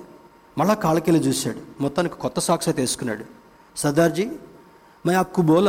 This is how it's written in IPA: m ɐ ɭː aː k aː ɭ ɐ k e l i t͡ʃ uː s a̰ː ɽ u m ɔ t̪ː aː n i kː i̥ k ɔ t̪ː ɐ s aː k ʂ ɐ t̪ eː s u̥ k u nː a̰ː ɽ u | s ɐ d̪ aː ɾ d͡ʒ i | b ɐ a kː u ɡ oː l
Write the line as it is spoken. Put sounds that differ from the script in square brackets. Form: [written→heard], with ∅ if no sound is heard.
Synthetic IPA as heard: m ɐ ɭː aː k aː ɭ ɐ k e l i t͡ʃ uː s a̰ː ɽ u m ɔ t̪ː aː n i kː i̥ k ɔ t̪ː ɐ s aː k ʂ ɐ t̪ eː s u̥ k u nː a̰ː ɽ u | s ɐ d̪ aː ɾ d͡ʒ i | [b→m] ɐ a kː u [ɡ→b] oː l